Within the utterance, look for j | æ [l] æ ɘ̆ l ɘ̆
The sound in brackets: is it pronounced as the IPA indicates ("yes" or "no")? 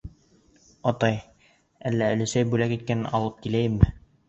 no